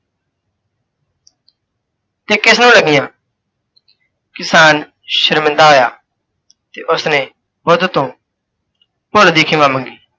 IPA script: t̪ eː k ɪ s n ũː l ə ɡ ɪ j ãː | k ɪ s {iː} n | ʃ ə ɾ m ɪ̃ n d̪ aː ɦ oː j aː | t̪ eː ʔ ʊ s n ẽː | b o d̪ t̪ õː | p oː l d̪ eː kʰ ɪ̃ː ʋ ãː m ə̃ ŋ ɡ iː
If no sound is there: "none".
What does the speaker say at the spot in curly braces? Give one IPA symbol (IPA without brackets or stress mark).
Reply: aː